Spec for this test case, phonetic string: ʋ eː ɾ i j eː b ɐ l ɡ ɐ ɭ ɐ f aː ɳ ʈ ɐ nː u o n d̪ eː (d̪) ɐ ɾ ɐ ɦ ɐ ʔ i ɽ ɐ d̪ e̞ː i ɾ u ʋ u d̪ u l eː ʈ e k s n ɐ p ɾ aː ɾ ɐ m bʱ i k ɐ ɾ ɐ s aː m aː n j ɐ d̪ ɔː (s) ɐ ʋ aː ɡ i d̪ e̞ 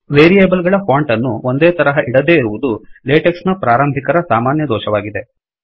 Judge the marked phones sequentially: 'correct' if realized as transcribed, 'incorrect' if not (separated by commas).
incorrect, incorrect